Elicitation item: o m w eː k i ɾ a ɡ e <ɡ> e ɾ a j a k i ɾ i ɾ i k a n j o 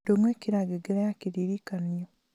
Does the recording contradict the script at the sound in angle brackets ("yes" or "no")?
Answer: no